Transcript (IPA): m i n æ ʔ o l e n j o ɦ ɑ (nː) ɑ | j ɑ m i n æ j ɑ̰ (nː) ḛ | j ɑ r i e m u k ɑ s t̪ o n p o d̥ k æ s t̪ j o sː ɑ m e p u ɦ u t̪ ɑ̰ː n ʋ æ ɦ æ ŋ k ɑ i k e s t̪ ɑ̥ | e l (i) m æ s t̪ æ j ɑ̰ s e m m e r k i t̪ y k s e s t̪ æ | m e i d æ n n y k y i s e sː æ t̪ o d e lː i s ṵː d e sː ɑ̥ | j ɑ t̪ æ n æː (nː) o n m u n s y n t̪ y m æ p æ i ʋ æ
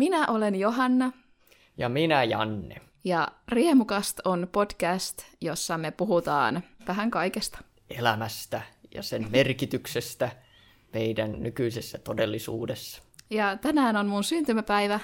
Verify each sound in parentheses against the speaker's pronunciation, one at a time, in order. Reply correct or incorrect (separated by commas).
correct, correct, incorrect, incorrect